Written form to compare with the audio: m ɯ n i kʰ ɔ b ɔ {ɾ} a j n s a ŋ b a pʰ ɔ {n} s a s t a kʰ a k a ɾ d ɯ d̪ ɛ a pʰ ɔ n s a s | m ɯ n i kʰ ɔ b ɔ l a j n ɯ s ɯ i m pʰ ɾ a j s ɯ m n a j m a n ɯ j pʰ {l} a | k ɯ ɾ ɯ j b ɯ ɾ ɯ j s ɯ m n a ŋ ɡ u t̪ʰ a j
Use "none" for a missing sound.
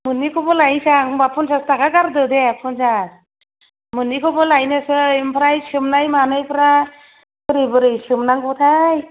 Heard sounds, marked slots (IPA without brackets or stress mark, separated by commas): l, n, ɾ